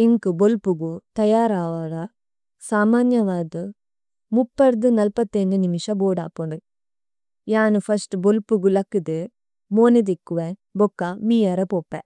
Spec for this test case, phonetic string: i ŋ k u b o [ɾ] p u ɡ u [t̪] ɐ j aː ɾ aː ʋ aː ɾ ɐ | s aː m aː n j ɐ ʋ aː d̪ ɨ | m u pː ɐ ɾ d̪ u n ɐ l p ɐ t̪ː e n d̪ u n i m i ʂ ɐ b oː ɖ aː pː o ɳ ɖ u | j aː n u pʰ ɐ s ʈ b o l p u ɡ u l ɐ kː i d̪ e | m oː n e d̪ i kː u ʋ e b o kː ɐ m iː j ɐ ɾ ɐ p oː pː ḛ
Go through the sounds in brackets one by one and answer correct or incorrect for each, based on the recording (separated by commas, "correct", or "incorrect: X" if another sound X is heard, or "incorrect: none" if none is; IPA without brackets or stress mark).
incorrect: l, correct